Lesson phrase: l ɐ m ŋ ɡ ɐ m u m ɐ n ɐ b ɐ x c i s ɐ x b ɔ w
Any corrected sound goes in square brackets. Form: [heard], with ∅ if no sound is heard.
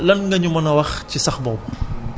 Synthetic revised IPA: l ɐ [n] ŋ ɡ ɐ [ɲ] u m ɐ n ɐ [w] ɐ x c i s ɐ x b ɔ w